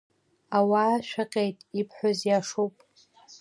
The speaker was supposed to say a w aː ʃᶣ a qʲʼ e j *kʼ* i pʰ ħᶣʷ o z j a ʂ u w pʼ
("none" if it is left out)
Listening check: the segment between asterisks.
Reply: tʼ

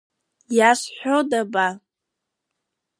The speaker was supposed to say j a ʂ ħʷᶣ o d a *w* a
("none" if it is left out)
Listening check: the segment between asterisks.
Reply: b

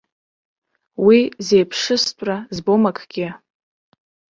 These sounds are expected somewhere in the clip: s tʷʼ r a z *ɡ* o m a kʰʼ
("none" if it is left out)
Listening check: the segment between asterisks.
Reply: b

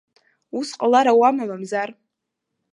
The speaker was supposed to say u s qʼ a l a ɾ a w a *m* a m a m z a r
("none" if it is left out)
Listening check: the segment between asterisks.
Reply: m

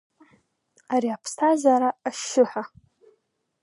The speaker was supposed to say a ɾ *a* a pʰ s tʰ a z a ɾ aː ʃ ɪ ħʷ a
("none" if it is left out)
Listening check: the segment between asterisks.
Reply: i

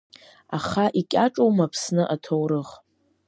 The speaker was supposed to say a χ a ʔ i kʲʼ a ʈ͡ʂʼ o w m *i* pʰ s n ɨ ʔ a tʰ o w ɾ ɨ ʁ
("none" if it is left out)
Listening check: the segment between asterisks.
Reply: a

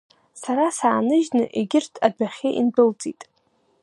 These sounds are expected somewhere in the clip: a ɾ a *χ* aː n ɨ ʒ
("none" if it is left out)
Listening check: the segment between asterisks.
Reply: s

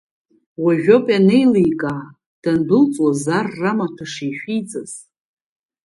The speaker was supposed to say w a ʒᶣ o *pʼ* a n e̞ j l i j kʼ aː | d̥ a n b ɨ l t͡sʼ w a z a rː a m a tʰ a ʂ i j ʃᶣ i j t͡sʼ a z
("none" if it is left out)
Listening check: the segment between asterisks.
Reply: pʼ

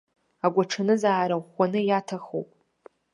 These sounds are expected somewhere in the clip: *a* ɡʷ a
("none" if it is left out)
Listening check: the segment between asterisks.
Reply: a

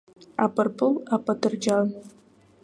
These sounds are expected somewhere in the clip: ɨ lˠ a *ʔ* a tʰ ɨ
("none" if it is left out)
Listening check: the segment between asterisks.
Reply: p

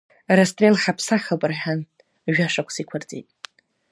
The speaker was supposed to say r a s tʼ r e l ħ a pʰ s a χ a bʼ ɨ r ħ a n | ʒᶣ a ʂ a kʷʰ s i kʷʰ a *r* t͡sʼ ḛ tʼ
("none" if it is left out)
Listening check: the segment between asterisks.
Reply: r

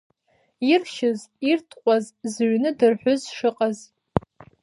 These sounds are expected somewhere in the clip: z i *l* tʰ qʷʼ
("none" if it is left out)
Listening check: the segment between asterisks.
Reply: r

